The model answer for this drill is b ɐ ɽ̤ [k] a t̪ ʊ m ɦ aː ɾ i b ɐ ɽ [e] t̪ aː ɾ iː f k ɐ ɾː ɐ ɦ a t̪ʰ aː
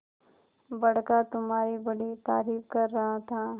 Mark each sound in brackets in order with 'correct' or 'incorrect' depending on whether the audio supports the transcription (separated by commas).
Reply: correct, incorrect